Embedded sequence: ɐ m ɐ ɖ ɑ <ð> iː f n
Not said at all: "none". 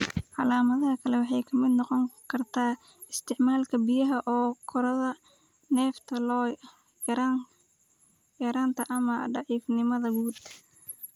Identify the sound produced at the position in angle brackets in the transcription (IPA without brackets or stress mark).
ʕ